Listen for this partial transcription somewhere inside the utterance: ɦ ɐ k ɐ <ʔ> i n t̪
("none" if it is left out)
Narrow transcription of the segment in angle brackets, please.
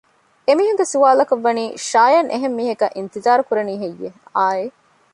ʔ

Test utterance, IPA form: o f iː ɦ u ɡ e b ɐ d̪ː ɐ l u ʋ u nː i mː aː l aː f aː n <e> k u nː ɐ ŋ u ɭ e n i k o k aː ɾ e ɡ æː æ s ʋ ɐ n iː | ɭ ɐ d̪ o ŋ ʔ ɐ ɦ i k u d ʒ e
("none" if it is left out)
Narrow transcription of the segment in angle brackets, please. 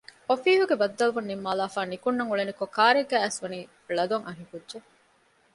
i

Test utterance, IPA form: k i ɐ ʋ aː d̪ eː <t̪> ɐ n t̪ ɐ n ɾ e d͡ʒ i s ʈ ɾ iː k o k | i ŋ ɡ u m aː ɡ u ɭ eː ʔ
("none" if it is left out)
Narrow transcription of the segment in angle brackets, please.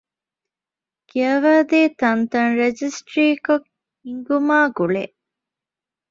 t̪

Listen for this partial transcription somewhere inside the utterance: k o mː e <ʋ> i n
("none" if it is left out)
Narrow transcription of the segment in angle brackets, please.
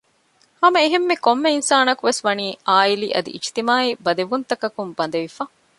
none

